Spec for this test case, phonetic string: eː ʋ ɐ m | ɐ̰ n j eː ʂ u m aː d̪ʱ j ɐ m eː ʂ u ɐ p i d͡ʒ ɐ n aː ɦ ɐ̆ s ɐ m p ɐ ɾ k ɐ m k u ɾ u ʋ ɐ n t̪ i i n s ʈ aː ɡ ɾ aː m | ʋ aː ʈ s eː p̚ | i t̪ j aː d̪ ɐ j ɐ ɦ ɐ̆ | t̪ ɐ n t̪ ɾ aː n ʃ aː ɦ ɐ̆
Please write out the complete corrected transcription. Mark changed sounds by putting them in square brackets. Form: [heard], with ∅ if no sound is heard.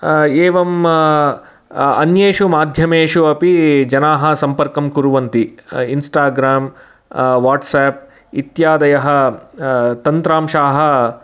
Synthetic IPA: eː ʋ ɐ m | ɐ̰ n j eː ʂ u m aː d̪ʱ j ɐ m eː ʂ u ɐ p i d͡ʒ ɐ n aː ɦ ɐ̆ s ɐ m p ɐ ɾ k ɐ m k u ɾ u ʋ ɐ n t̪ i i n s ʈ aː ɡ ɾ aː m | ʋ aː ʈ s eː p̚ | i t̪ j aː d̪ ɐ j ɐ ɦ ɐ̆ | t̪ ɐ n t̪ ɾ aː [m] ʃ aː ɦ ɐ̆